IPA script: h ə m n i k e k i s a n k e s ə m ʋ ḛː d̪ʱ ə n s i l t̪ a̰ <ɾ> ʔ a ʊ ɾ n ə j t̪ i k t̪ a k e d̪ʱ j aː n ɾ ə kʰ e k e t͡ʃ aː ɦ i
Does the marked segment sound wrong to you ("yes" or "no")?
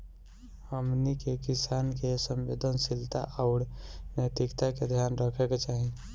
yes